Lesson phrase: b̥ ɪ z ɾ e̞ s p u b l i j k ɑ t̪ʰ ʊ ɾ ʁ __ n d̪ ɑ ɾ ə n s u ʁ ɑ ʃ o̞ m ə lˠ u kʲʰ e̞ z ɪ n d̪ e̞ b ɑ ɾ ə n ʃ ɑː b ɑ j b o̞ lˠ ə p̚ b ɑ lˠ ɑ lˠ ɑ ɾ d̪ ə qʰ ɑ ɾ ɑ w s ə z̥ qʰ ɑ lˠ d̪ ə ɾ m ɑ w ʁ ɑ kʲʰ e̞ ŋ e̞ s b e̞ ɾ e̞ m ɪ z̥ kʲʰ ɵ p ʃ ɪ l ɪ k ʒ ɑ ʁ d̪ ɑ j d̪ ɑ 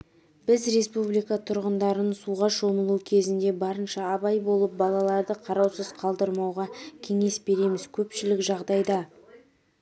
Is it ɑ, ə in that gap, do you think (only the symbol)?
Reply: ə